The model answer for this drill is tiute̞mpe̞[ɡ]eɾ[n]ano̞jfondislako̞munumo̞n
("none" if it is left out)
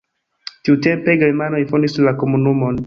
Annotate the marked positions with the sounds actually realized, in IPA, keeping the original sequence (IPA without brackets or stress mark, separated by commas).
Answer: ɡ, m